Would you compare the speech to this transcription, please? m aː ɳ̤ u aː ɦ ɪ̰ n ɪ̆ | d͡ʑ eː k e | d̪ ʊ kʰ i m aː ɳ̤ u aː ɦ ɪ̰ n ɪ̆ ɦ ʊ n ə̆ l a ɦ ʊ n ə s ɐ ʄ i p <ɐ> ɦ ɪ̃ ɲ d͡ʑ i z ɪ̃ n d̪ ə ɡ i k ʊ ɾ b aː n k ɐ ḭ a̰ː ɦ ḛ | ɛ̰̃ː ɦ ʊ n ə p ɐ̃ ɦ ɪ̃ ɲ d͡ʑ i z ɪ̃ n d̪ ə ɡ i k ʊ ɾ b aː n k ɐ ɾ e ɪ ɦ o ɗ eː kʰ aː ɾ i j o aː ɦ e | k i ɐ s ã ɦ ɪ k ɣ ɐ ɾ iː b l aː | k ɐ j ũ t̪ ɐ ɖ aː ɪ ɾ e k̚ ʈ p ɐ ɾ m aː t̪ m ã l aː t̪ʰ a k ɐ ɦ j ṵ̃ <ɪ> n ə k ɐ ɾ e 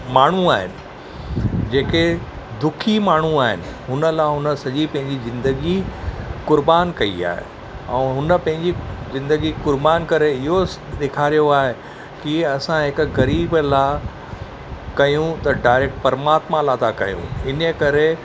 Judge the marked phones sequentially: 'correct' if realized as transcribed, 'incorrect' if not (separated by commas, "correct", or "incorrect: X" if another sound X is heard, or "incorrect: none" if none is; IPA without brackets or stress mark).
incorrect: ɐ̃, correct